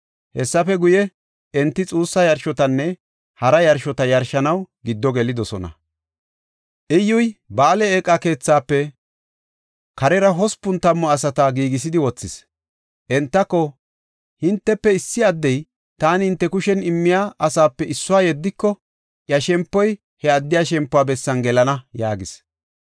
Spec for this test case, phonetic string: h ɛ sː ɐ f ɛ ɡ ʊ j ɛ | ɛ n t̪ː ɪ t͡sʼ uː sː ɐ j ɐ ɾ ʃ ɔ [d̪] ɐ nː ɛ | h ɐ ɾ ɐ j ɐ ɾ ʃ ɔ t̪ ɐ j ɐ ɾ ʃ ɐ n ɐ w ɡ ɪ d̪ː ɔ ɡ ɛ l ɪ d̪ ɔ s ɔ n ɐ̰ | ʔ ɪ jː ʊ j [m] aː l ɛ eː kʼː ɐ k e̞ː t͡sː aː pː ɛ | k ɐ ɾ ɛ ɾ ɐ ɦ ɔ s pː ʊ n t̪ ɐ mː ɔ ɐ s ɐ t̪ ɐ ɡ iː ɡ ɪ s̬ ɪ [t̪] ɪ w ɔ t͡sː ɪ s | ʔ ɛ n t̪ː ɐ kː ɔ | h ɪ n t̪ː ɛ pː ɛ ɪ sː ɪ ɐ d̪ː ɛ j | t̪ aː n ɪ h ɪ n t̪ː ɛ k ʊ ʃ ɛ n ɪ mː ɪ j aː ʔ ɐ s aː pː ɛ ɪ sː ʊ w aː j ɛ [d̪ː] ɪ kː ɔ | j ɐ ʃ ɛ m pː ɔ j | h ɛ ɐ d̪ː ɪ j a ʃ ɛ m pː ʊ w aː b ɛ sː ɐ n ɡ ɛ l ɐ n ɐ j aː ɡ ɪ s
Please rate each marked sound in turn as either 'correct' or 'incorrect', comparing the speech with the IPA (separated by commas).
incorrect, incorrect, incorrect, correct